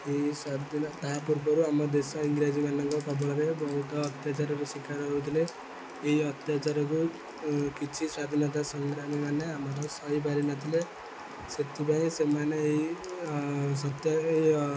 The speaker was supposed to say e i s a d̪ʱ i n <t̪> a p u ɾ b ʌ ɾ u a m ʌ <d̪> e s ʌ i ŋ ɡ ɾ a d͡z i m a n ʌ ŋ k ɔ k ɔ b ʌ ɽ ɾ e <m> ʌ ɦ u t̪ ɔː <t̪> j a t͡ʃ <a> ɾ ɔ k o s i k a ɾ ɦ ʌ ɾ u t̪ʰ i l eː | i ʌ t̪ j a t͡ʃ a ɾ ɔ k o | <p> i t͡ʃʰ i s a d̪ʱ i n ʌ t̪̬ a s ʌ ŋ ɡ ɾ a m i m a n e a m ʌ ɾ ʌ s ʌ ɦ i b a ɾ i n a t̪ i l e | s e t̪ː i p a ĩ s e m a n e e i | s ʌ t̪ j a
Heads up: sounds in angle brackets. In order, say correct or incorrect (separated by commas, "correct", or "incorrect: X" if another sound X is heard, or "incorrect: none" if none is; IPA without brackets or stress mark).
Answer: correct, correct, incorrect: b, correct, correct, incorrect: k